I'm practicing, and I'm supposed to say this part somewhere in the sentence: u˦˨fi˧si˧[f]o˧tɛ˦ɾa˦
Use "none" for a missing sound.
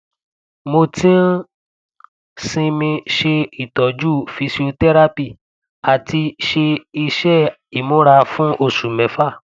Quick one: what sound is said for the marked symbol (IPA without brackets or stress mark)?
none